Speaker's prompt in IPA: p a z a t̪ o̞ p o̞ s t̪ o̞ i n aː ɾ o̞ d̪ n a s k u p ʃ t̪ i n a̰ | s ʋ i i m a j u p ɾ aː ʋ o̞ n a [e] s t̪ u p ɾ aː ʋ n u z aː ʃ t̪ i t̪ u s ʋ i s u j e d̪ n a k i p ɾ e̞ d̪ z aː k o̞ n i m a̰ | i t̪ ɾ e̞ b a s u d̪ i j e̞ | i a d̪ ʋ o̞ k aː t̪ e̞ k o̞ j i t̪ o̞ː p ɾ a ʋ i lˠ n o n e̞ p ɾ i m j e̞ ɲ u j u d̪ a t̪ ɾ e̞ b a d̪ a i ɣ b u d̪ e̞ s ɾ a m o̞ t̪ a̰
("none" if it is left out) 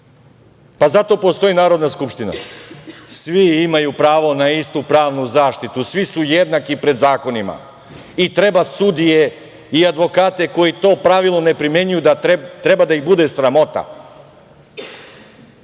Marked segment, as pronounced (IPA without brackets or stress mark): i